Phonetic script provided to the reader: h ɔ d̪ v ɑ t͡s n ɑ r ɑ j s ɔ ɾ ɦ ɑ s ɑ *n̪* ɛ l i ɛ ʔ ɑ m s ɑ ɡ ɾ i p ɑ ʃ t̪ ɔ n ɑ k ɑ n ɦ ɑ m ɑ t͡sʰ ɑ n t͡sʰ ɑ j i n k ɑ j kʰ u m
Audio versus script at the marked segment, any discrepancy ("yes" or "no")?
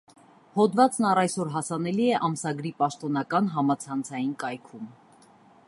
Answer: no